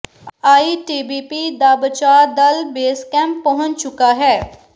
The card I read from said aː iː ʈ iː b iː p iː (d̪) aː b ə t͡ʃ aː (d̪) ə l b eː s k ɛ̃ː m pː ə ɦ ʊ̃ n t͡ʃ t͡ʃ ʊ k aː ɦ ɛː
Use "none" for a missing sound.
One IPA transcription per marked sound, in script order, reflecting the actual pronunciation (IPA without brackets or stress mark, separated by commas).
d̪, d̪